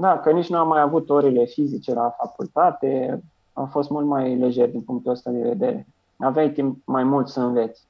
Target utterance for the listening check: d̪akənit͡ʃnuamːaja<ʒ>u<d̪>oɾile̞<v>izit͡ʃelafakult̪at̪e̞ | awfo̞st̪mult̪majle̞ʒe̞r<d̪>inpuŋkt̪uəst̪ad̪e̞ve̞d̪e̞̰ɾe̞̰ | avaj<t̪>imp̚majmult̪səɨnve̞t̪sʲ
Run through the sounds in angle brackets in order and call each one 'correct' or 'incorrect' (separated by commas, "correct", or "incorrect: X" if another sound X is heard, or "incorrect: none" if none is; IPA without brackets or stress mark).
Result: incorrect: v, incorrect: t̪, incorrect: f, correct, correct